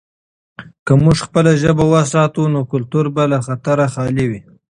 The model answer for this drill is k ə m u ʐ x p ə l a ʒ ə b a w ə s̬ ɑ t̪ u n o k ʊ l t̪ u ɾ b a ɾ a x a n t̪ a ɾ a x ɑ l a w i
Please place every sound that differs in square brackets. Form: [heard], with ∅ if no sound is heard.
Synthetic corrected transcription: k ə m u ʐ x p ə l a ʒ ə b a w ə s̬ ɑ t̪ u n o k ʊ l t̪ u ɾ b a [l] a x a [∅] t̪ a ɾ a x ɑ l [i] w i